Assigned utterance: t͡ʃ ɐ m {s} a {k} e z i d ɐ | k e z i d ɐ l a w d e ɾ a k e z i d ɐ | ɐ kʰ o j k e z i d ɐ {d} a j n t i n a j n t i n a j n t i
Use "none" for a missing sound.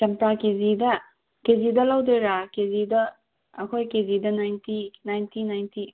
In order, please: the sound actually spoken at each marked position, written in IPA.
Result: t, k, n

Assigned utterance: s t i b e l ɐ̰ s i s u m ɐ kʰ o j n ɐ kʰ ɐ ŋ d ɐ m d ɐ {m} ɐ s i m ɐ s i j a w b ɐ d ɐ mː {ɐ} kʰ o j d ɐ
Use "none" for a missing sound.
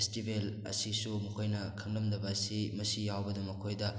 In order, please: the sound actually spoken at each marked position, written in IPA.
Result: b, ɐ

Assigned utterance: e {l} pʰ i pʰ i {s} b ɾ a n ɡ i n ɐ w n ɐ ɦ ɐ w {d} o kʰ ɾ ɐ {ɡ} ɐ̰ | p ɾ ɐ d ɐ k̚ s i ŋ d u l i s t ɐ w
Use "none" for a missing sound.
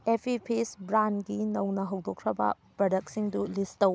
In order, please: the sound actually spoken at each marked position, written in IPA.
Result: none, s, d, b

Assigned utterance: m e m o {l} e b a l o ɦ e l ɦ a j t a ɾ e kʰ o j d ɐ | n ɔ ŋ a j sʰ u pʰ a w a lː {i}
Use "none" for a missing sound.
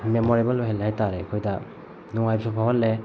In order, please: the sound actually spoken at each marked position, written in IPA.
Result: ɾ, e

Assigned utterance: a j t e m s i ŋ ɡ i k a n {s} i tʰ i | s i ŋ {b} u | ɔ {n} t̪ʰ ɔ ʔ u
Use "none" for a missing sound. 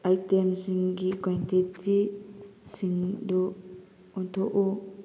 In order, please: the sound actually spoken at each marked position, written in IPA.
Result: t, d, n

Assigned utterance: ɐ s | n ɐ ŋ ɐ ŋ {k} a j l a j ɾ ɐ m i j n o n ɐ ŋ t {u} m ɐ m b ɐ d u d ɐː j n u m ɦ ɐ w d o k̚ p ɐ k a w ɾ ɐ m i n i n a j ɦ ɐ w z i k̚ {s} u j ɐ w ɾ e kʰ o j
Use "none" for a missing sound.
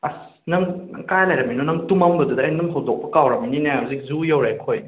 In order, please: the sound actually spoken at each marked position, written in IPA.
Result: k, u, z

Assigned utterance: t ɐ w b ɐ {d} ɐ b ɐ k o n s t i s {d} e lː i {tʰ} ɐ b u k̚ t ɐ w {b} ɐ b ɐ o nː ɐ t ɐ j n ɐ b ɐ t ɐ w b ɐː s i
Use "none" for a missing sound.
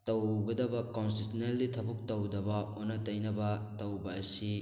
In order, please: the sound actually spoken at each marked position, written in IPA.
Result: d, n, tʰ, d

